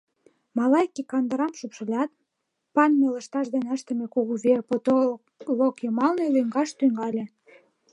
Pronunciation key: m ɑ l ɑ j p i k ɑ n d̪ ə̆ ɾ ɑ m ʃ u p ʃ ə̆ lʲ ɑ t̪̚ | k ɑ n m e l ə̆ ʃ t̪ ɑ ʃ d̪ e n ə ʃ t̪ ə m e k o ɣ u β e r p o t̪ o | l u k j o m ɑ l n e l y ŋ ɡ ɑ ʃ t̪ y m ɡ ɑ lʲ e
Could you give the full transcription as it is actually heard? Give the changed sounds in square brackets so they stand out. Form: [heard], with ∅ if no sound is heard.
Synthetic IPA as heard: m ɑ l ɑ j [k] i k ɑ n d̪ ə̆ ɾ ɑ m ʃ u p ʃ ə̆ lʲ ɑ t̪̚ | [p] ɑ n m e l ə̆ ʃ t̪ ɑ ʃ d̪ e n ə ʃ t̪ ə m e k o ɣ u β e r p o t̪ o | l [o] k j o m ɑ l n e l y ŋ ɡ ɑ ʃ t̪ y [ŋ] ɡ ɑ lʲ e